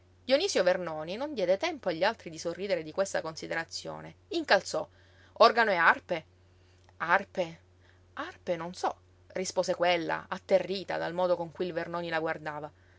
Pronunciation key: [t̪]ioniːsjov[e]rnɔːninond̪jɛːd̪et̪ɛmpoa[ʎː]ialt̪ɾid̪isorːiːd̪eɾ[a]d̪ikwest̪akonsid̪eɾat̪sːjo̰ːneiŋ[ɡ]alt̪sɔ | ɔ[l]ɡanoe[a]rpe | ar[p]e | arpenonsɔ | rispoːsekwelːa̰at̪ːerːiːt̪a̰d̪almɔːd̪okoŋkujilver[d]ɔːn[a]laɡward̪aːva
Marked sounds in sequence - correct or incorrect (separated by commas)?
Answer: incorrect, correct, correct, incorrect, incorrect, incorrect, correct, correct, incorrect, incorrect